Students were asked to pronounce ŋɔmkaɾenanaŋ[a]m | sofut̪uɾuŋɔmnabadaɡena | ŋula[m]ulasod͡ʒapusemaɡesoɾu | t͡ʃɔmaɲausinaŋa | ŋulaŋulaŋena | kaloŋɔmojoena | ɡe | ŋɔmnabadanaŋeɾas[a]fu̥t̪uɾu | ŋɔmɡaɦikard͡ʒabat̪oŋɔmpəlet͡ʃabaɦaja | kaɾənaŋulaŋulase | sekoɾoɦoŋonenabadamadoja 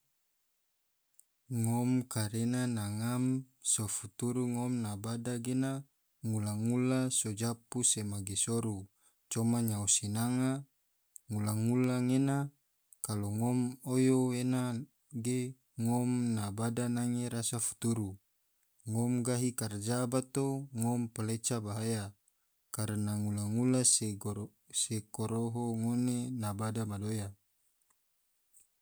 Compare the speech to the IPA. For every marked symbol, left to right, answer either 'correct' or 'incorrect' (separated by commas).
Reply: correct, incorrect, correct